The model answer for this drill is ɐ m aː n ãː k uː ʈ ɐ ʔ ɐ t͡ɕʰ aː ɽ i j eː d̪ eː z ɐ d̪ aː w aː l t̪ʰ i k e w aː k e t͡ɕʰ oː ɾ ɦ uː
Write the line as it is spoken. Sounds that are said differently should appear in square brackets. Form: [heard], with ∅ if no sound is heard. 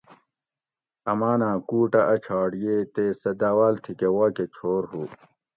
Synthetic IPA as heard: ɐ m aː n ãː k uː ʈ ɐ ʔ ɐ t͡ɕʰ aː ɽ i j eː [t̪] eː [s] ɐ d̪ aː w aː l t̪ʰ i k e w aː k e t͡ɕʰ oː ɾ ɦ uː